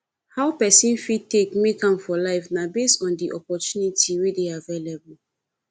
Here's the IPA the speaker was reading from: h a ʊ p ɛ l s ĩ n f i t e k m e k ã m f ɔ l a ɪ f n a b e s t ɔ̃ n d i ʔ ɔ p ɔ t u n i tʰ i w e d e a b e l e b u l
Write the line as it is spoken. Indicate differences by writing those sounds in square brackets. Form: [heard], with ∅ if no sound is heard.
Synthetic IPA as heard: h a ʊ p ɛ [∅] s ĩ n f i t e k m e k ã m f ɔ l a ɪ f n a b e s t ɔ̃ n d i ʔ ɔ p ɔ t u n i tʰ i w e d e a [v] e l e b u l